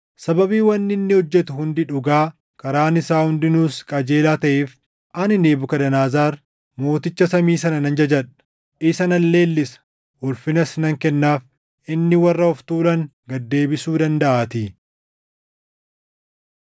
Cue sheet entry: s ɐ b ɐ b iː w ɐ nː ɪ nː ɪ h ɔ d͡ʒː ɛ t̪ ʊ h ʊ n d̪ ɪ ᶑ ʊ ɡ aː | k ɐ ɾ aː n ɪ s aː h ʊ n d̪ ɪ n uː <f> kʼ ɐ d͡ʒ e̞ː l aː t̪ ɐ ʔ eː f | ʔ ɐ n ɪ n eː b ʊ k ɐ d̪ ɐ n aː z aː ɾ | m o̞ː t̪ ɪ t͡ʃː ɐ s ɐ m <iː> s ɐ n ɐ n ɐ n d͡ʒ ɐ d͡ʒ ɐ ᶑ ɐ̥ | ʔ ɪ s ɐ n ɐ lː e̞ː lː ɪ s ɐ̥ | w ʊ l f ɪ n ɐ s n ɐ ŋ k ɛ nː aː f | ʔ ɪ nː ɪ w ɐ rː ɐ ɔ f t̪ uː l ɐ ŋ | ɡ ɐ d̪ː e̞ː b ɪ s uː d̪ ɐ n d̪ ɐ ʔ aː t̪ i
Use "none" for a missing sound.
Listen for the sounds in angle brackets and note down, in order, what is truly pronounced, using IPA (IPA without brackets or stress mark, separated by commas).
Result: s, iː